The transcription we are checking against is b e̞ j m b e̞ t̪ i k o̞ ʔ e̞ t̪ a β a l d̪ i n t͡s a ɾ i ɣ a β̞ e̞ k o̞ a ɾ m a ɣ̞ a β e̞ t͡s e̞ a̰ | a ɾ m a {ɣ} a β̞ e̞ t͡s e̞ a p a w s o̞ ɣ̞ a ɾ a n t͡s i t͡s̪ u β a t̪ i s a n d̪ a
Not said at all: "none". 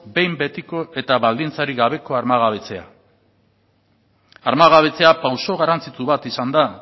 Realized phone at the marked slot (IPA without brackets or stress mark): ɣ